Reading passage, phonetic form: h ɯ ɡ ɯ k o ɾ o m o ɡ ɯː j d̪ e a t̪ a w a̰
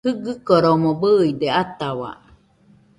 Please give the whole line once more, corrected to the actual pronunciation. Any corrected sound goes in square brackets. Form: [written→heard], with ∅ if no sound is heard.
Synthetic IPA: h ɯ ɡ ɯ k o ɾ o m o [ɡ→b] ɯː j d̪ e a t̪ a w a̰

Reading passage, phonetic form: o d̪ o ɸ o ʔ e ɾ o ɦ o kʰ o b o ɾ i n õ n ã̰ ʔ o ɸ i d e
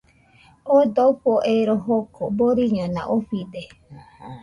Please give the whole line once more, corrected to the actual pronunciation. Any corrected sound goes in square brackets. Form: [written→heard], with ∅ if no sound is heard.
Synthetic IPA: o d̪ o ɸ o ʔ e ɾ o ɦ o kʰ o b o ɾ i [n→ɲ] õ n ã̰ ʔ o ɸ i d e

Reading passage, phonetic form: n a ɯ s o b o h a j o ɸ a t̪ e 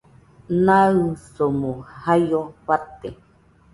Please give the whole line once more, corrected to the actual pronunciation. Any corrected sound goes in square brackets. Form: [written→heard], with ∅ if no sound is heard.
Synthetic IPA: n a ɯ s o [b→m] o h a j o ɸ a t̪ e

